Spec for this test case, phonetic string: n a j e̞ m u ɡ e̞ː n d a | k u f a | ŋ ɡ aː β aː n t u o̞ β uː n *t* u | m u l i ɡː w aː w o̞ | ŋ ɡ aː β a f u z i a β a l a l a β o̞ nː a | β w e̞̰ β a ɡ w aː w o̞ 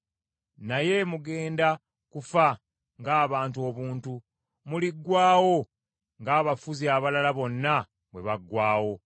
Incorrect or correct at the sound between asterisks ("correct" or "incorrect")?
correct